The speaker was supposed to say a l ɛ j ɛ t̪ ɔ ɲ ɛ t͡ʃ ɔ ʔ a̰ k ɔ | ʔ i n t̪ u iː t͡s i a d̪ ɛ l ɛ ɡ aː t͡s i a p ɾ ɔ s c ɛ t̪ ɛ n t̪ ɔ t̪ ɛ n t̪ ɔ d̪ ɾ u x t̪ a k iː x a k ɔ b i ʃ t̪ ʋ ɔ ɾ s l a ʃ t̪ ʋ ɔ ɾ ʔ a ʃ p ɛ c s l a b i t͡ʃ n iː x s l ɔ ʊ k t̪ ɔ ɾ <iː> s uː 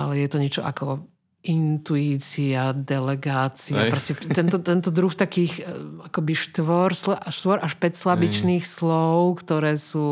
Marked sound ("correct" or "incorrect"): incorrect